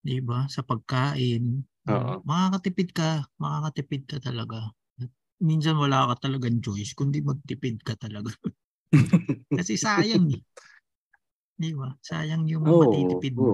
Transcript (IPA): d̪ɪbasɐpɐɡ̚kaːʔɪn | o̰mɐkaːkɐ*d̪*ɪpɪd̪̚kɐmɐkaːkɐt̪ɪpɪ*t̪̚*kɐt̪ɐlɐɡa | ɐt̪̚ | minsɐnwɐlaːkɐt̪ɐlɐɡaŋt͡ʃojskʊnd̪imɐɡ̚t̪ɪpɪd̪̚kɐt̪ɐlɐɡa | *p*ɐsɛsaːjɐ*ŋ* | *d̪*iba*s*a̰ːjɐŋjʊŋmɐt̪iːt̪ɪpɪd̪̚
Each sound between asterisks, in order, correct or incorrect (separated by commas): incorrect, incorrect, incorrect, correct, correct, correct